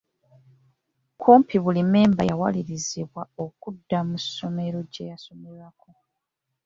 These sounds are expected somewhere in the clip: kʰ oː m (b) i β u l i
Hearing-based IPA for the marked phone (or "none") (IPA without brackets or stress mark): p